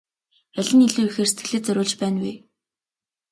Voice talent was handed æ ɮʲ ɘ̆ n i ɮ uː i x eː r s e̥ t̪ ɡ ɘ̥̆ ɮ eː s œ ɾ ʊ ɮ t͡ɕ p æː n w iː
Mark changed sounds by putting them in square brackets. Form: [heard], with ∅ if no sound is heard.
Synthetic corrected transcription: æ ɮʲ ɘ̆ n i ɮ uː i x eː r s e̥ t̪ ɡ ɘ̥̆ ɮ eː [t͡s] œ ɾ [ʊː] ɮ t͡ɕ p æː n w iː